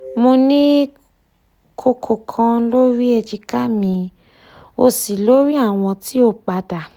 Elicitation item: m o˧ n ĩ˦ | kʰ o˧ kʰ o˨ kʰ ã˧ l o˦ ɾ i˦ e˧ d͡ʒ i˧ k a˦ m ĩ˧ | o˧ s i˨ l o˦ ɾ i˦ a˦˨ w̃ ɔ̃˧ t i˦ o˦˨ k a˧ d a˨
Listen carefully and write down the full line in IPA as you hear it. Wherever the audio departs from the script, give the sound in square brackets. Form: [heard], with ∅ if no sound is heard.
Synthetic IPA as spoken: m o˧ n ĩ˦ | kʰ o˧ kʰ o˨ kʰ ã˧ l o˦ ɾ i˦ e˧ d͡ʒ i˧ k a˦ m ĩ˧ | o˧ s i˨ l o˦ ɾ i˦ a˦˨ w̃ ɔ̃˧ t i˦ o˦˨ [k͡p] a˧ d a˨